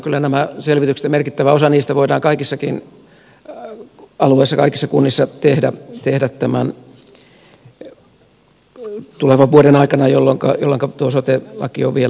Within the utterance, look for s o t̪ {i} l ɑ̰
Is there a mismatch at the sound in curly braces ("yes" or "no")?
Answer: yes